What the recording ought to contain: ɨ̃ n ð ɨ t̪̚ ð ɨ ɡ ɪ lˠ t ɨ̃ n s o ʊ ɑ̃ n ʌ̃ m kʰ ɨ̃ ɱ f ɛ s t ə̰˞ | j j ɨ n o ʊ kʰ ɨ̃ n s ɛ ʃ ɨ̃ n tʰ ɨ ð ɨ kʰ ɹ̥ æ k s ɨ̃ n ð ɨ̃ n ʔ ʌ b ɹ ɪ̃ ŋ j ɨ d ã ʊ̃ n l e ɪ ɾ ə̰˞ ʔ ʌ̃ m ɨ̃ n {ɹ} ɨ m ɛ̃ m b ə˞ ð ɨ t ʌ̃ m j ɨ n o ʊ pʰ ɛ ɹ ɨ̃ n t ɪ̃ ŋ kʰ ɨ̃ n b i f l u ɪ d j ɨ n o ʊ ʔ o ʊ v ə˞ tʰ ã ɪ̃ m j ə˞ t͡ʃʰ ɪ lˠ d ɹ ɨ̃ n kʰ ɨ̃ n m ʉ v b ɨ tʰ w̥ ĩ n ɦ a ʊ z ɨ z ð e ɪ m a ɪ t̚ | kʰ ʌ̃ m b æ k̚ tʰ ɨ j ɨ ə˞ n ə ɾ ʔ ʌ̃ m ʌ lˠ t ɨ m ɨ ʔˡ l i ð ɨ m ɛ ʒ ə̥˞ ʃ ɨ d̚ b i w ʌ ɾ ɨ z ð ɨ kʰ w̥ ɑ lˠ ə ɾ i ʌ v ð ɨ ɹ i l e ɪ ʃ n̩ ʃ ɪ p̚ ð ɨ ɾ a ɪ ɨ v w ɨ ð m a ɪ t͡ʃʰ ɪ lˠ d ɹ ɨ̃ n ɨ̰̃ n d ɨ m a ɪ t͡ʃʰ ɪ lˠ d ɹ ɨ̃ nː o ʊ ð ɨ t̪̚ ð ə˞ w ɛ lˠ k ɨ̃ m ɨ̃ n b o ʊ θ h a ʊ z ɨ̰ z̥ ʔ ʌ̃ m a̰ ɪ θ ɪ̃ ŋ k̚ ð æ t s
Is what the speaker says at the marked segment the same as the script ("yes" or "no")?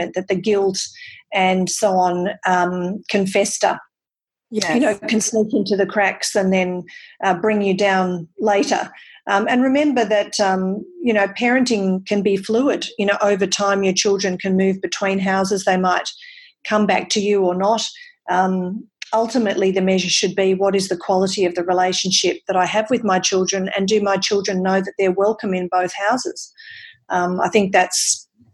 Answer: yes